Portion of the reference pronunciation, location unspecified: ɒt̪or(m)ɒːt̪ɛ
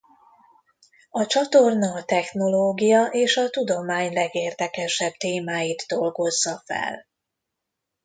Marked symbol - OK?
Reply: no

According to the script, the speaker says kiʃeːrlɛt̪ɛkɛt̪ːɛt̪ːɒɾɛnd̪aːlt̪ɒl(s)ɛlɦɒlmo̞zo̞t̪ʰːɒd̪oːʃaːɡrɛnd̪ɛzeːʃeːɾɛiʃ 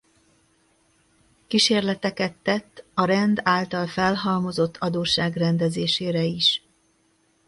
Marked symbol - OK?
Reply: no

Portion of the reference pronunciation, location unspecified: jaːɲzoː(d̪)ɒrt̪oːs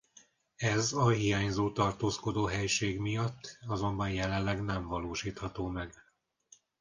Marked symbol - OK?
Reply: no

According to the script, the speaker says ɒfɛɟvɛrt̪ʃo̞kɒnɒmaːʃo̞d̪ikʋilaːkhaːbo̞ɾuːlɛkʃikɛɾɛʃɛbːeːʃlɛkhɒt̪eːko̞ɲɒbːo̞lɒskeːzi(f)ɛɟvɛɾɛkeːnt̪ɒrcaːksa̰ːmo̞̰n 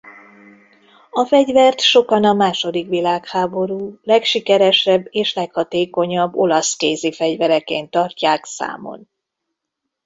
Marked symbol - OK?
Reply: yes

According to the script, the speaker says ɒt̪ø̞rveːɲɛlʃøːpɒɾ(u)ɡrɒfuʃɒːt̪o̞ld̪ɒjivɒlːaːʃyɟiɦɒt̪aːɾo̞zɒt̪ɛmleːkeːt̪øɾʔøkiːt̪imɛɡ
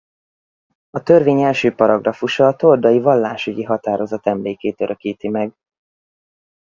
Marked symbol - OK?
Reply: no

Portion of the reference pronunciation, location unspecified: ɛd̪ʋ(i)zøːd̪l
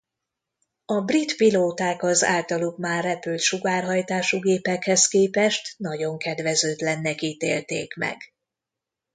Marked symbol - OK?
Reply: no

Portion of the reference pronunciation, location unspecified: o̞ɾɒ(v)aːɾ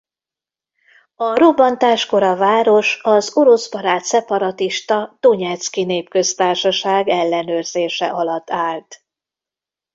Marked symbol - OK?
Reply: yes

